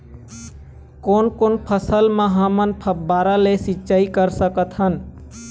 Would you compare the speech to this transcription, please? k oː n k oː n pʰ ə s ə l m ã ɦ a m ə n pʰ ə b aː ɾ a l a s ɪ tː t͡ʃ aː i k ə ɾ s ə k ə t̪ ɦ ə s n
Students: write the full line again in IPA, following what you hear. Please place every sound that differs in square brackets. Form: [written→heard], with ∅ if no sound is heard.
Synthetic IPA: k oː n k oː n pʰ ə s ə l m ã ɦ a m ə n pʰ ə b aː ɾ a l [a→e] s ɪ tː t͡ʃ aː i k ə ɾ s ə k ə t̪ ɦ ə [s→∅] n

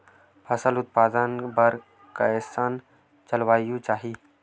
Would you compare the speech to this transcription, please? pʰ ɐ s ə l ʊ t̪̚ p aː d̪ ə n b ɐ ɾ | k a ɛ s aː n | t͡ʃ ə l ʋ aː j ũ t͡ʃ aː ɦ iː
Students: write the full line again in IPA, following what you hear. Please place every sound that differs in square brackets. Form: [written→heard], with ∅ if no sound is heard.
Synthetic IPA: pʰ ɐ s ə l ʊ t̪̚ p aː d̪ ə n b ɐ ɾ | k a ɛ s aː n | t͡ʃ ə l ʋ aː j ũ t͡ʃ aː ɦ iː

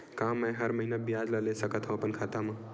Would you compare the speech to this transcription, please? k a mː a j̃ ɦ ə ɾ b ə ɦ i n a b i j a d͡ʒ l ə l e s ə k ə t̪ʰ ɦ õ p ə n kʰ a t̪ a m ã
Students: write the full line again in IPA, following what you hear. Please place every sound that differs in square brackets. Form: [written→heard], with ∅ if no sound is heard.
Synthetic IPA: k a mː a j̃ ɦ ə ɾ [b→m] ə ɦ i n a b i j a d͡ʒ l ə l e s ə k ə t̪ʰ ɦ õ p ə n kʰ a t̪ a m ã

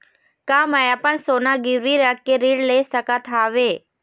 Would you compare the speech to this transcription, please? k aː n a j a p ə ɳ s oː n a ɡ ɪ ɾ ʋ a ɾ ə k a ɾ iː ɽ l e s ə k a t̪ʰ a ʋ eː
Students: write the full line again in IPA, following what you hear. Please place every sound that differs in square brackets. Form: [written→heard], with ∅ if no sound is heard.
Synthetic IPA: k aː [n→m] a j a p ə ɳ s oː n a ɡ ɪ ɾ ʋ [a→i] ɾ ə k [a→e] ɾ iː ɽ l e s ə k a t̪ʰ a ʋ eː

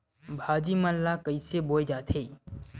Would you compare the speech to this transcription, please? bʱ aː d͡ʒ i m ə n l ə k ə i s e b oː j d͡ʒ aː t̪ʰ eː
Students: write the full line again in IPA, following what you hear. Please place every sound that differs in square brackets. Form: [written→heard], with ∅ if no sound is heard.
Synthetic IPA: bʱ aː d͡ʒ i m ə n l [ə→a] k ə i s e b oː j d͡ʒ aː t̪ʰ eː

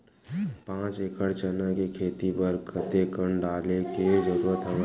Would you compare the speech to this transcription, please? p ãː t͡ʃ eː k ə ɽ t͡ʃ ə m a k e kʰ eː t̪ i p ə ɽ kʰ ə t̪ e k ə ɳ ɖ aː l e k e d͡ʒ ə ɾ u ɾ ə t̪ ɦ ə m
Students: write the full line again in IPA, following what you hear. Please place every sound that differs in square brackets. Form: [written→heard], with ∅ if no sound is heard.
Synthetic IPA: p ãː t͡ʃ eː k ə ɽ t͡ʃ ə [m→n] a k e kʰ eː t̪ i p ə [ɽ→ɾ] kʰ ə t̪ e k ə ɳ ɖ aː l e k e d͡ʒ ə ɾ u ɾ ə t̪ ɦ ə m

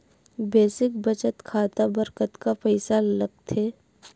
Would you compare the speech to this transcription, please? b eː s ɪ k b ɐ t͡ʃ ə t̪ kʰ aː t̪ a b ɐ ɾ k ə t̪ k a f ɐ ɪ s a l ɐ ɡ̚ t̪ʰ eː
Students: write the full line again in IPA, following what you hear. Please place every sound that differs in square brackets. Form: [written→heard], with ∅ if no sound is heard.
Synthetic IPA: b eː s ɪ k b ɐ t͡ʃ ə t̪ kʰ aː t̪ a b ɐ ɾ k ə t̪ k a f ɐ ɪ s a l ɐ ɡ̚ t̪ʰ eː

